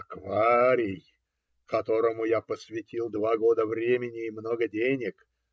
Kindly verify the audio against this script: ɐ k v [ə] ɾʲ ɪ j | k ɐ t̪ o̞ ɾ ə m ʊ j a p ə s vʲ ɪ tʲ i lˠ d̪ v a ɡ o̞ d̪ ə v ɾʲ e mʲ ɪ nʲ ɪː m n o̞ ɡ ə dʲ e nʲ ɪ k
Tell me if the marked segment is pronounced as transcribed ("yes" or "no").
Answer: no